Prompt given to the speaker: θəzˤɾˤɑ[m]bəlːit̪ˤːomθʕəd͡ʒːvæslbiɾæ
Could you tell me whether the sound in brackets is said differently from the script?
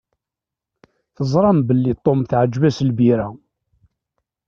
no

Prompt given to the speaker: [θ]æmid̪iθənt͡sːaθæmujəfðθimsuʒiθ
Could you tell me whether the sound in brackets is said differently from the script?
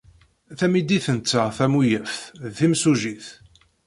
no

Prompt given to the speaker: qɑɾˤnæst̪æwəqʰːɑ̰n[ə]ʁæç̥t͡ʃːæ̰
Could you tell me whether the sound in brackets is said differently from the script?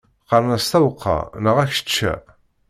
no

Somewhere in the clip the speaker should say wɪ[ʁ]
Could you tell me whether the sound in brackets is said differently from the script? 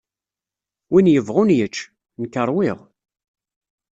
no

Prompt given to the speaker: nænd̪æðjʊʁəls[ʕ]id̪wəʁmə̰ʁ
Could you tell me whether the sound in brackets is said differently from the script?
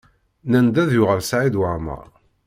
no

